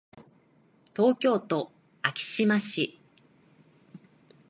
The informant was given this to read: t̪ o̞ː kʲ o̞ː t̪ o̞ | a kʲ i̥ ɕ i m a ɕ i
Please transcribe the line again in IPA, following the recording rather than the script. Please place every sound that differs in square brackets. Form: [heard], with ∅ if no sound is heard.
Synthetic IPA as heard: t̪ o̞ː kʲ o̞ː t̪ o̞ | a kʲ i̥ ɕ i m a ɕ i